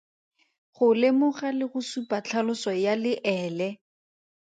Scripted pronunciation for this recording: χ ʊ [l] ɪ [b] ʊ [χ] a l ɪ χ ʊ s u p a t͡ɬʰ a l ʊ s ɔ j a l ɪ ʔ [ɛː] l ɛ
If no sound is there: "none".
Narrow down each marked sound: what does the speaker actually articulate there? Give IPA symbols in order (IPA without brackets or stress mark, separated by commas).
l, m, χ, ɛː